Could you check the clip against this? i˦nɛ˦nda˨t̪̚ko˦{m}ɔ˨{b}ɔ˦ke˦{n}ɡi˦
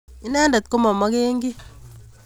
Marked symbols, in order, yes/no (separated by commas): yes, no, no